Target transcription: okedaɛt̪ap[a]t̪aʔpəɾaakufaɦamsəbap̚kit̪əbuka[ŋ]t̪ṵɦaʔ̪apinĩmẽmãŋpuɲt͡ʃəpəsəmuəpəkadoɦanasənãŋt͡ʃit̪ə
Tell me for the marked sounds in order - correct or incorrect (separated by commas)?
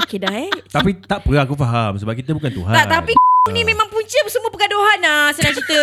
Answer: incorrect, incorrect